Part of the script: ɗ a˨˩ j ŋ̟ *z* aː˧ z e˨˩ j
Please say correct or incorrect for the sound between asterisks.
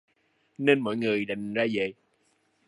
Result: correct